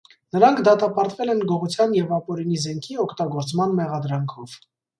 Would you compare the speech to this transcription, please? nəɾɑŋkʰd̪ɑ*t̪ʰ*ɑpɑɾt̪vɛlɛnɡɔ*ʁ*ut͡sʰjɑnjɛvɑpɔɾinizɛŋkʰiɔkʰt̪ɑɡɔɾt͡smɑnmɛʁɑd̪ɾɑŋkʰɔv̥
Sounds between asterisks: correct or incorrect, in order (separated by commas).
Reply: incorrect, correct